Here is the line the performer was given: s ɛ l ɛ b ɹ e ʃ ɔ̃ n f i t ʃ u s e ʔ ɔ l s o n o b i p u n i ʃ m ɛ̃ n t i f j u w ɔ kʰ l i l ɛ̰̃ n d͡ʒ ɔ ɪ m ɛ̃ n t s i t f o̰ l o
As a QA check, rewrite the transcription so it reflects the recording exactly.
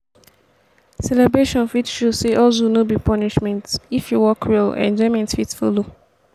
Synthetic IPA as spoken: s ɛ l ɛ b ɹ e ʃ ɔ̃ n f i t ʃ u s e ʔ ɔ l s o n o b i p ɔ n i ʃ m ɛ̃ n t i f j u w ɔ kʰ ɹ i l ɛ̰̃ n d͡ʒ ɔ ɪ m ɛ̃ n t f i t f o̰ l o